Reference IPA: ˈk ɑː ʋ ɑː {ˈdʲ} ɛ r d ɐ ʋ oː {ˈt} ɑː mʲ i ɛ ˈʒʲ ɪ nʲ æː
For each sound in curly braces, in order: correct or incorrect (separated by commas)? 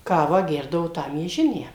incorrect, correct